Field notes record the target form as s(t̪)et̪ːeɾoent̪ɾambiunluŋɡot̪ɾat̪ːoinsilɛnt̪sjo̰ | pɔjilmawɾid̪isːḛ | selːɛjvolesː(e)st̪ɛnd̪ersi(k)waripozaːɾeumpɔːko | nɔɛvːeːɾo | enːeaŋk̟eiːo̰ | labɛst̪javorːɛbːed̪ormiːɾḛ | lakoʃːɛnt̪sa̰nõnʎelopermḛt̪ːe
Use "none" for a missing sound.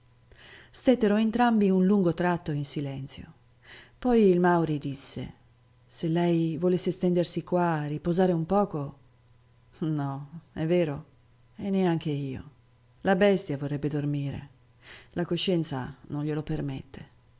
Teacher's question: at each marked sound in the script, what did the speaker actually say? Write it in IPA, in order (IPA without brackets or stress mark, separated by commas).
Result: t̪, e, k